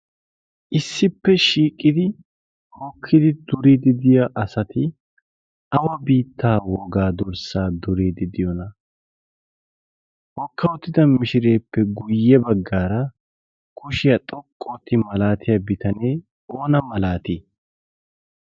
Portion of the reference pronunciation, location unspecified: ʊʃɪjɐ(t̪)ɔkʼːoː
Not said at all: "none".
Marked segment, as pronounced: t̪ʼ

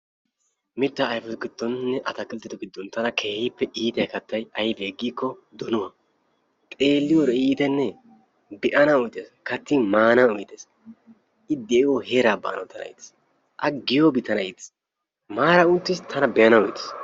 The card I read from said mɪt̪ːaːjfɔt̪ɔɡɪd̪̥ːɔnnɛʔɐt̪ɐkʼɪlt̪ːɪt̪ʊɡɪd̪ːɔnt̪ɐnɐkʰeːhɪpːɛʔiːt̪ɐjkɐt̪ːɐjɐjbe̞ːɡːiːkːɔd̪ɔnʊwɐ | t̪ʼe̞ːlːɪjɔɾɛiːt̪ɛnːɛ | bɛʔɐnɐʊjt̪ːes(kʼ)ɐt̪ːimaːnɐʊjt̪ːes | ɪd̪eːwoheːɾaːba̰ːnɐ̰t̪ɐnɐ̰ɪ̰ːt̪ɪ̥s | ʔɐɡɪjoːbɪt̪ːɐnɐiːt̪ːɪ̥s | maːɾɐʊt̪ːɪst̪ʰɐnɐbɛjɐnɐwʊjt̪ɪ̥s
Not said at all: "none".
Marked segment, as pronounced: k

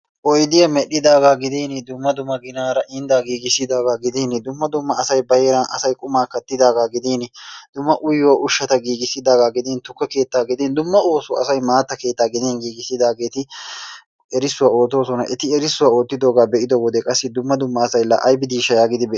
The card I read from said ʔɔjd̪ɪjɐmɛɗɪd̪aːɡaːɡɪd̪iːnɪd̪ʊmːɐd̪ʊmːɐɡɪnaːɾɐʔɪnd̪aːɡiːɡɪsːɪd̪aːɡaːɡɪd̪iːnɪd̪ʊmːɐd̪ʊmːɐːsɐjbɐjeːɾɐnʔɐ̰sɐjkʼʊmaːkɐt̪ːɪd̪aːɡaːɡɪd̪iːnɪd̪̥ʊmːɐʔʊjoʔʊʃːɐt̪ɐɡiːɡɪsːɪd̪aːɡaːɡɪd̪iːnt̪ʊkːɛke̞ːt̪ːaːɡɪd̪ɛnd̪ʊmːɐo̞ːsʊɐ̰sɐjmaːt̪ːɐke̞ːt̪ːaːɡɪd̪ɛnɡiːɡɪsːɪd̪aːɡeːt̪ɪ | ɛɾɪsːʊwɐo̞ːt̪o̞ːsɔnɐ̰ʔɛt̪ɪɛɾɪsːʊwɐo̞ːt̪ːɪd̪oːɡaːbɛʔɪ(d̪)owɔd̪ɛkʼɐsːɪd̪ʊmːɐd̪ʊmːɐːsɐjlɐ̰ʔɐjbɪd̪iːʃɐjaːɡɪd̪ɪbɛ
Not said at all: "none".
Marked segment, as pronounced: d̪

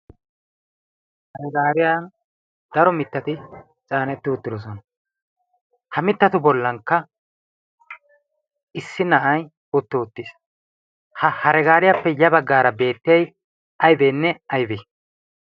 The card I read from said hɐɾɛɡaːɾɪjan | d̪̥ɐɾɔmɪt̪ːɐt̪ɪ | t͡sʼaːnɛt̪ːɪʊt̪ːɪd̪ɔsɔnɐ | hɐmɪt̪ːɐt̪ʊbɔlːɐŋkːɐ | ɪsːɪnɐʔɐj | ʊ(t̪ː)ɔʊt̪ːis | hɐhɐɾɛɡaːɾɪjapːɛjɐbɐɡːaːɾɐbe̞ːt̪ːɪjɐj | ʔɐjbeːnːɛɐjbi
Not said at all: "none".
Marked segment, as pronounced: t̪ː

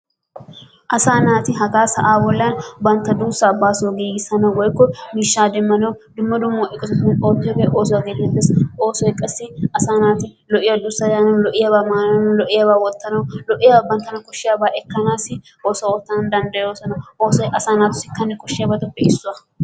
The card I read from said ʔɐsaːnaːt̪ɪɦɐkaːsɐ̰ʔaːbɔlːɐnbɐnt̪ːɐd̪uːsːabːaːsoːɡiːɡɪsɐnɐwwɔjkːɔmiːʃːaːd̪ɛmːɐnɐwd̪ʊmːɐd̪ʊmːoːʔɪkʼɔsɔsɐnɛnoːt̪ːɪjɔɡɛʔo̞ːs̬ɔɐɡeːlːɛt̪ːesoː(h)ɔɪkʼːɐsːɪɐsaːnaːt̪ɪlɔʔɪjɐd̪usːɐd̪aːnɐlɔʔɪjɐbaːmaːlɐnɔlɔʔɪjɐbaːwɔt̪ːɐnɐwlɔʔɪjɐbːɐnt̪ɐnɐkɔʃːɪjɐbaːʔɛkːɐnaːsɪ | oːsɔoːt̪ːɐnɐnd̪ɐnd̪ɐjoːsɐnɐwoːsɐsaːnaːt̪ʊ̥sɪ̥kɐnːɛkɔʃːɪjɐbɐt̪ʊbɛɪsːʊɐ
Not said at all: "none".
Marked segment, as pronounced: s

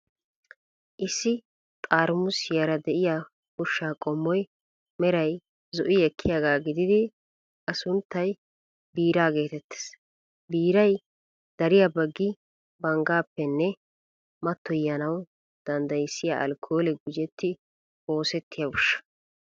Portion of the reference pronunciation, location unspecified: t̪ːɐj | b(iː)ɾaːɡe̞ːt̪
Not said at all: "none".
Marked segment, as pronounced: iː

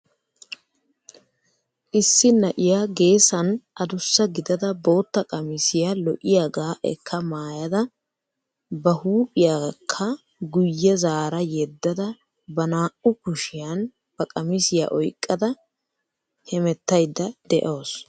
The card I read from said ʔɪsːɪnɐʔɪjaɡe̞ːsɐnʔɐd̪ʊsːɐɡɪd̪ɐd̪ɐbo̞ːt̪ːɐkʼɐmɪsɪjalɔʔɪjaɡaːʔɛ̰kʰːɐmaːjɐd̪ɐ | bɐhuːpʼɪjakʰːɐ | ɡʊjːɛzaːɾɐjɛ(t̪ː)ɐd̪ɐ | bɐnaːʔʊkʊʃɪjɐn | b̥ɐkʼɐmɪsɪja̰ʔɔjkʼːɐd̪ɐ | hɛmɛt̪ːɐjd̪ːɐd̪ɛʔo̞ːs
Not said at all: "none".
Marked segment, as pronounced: d̪ː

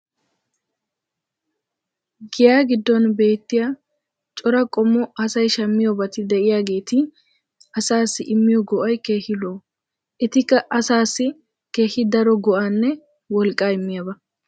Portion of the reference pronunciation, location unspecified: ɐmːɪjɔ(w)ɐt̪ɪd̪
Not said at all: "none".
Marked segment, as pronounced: b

